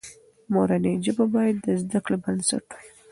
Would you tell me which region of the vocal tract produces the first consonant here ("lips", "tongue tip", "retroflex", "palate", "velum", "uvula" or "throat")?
lips